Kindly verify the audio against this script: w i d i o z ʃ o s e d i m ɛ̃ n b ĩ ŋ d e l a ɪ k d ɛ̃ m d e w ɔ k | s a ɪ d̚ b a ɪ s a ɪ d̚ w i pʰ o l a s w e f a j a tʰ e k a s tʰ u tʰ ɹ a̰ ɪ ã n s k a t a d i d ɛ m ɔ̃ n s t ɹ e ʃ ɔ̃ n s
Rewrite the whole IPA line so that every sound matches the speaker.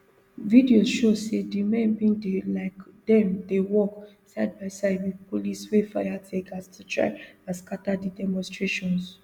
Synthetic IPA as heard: v i d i o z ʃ o s e d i m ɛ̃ n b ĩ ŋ d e l a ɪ k d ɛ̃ m d e w ɔ k | s a ɪ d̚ b a ɪ s a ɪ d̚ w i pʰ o l i s w e f a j a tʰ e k a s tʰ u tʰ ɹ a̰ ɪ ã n s k a t a d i d ɛ m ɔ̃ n s t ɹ e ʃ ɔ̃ n s